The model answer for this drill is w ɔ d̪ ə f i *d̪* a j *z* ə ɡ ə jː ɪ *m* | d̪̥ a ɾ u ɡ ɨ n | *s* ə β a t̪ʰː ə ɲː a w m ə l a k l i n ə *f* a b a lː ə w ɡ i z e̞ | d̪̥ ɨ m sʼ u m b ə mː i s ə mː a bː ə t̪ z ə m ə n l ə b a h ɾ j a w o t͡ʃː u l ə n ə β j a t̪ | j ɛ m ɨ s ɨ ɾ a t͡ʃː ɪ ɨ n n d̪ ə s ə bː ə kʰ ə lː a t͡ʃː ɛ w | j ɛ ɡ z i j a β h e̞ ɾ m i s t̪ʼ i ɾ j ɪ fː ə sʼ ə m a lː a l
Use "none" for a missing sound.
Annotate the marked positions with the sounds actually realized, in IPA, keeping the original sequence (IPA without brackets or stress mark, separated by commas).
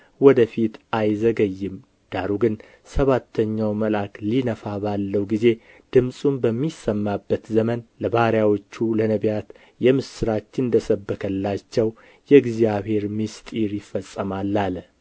t̪, z, m, s, f